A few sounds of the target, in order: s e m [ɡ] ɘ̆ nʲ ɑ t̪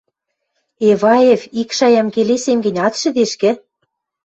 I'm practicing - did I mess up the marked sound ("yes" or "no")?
no